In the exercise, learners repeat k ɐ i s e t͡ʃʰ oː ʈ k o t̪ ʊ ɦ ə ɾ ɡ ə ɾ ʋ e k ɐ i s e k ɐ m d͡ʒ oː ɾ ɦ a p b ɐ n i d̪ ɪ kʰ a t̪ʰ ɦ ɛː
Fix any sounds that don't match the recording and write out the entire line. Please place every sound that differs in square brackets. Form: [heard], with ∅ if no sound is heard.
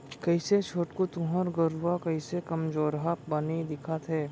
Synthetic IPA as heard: k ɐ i s e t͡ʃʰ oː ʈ k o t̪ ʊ ɦ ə ɾ ɡ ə ɾ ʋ [a] k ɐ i s e k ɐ m d͡ʒ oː ɾ ɦ a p b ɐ n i d̪ ɪ kʰ a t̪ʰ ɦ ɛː